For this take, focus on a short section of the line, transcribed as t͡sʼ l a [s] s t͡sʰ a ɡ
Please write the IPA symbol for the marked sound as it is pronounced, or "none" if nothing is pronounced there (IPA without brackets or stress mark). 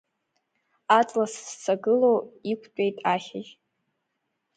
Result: s